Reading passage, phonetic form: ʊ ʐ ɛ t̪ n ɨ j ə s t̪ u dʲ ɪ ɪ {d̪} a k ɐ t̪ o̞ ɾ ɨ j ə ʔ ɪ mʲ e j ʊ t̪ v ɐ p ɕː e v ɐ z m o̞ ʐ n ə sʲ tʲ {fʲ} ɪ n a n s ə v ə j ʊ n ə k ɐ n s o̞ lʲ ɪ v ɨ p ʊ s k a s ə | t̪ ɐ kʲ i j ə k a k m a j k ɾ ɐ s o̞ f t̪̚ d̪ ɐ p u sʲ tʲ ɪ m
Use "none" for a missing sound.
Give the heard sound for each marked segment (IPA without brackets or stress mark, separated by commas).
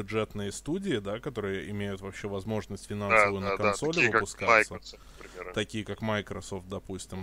d̪, fʲ